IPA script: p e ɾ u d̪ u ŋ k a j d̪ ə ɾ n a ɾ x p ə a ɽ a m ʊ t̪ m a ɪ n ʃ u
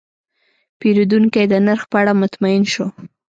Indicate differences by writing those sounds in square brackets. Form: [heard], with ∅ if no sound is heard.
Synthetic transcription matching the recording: p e ɾ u d̪ u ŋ k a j d̪ ə [∅] n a ɾ x p ə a ɽ a m ʊ t̪ m a ɪ n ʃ [o]